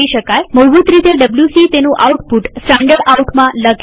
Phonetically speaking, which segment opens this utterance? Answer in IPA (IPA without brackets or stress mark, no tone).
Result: i